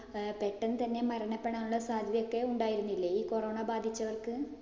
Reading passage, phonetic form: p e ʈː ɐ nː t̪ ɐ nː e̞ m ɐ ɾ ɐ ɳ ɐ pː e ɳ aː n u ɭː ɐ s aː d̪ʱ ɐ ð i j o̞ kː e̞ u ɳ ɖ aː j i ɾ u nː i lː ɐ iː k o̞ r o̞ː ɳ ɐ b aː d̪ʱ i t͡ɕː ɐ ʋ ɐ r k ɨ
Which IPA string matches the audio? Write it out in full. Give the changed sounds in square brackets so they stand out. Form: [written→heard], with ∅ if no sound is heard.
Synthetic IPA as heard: p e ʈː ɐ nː t̪ ɐ nː e̞ m ɐ ɾ ɐ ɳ ɐ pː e ɳ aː n u ɭː ɐ s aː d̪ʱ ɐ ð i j o̞ kː e̞ u ɳ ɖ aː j i ɾ u nː i lː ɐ iː k o̞ r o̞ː ɳ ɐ b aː d̪ʱ i t͡ɕː ɐ ʋ ɐ r k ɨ